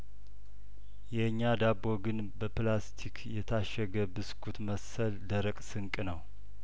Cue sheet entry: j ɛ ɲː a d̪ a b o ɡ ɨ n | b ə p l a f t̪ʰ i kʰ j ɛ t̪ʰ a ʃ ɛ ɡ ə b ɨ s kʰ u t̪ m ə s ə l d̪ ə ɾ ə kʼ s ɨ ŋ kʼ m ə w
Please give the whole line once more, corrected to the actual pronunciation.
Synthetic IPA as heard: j ɛ ɲː a d̪ a b o ɡ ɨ n | b ə p l a s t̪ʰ i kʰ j ɛ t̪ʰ a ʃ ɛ ɡ ə b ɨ s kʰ u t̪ m ə s ə l d̪ ə ɾ ə kʼ s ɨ ŋ kʼ n ə w